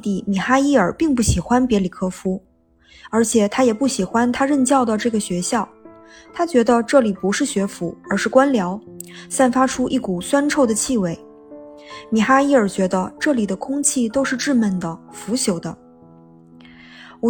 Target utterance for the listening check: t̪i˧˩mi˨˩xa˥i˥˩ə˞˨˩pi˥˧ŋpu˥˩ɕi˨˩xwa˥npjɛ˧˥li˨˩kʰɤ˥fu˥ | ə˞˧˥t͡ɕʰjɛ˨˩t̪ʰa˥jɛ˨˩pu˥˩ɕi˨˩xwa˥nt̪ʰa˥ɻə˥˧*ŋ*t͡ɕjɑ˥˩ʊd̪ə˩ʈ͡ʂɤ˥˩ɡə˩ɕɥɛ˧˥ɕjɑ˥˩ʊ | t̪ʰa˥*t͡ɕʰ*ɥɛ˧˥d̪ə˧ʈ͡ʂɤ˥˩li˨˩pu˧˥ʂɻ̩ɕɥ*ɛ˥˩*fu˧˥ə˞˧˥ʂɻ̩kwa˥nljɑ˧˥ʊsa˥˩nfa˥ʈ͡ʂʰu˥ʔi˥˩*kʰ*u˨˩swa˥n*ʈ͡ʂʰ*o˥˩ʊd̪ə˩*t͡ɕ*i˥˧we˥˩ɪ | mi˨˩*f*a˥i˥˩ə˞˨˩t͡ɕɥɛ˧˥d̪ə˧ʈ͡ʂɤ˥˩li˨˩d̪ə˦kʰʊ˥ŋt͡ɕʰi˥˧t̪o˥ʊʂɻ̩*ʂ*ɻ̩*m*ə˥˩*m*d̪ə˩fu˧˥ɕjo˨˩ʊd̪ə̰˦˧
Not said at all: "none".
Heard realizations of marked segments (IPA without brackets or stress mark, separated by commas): n, t͡ɕ, ɛ˧˥, k, ʈ͡ʂʰ, t͡ɕʰ, x, ʈ͡ʂ, m, n